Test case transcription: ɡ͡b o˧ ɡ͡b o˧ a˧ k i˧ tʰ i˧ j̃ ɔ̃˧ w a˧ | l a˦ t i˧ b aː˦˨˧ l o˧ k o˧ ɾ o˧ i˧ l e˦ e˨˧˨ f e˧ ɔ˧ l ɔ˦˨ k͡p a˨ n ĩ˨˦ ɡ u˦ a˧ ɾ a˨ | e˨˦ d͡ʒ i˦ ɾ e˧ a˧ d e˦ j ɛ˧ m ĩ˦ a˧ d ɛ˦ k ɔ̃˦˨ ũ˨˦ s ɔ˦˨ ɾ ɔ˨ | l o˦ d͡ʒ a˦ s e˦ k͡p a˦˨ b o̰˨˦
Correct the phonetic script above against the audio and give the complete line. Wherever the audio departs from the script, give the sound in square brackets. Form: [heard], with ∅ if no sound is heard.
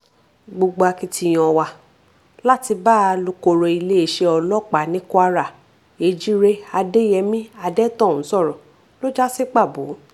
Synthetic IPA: ɡ͡b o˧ ɡ͡b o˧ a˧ k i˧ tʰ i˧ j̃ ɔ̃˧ w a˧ | l a˦ t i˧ b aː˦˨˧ l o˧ k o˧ ɾ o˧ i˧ l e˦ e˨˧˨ [ʃ] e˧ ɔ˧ l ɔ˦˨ k͡p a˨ n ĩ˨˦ [k] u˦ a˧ ɾ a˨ | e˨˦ d͡ʒ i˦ ɾ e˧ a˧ d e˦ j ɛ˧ m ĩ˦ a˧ d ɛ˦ [t] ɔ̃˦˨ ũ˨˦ s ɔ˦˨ ɾ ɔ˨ | l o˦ d͡ʒ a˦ s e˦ k͡p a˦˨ b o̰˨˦